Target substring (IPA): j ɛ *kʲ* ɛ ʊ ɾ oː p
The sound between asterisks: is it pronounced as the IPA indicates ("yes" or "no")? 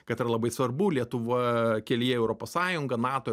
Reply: no